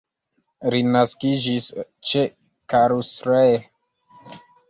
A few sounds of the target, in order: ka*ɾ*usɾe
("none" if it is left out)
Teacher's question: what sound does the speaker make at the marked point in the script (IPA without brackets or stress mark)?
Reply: ɾ